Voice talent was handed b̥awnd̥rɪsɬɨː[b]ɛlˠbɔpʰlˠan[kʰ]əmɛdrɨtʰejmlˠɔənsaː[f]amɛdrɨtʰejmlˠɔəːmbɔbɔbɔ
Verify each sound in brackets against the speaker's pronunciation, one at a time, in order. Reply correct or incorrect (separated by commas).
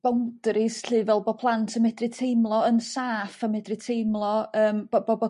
incorrect, incorrect, correct